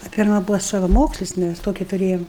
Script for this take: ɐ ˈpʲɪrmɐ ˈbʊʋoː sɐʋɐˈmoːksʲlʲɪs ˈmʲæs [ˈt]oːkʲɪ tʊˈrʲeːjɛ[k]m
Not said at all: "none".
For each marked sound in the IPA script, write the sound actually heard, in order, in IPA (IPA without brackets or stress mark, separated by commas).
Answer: t, none